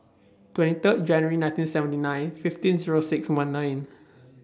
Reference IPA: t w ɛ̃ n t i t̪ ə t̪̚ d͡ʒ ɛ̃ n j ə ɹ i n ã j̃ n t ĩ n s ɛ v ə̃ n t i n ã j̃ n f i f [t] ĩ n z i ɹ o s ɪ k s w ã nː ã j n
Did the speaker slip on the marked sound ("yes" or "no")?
no